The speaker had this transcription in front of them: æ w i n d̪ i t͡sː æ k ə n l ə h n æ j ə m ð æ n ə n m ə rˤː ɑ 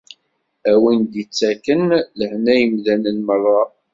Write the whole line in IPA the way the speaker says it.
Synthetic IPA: æ w i n d̪ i t͡sː æ k ə n l ə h n æ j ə m ð æ n ə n m ə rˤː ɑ